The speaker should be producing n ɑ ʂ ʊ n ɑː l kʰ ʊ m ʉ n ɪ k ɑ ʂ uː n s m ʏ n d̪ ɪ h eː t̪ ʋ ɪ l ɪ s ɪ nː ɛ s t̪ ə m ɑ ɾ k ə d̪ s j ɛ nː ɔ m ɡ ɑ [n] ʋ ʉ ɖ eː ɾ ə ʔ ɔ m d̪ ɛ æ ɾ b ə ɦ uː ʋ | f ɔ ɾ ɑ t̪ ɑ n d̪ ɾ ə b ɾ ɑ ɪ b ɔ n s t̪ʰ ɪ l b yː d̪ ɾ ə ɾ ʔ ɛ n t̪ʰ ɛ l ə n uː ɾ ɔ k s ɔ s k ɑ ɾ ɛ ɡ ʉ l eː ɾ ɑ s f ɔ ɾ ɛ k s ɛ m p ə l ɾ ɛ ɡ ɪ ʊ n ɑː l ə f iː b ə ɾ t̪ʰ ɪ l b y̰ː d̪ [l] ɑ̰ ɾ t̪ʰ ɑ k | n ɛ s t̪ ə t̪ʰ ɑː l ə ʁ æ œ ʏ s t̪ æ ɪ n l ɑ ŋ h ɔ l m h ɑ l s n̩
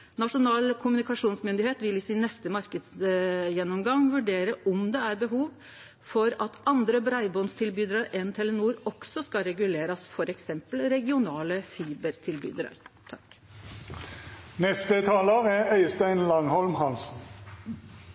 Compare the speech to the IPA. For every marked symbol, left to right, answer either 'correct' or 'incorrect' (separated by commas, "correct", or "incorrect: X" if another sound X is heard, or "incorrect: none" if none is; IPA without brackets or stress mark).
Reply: incorrect: ŋ, incorrect: ɾ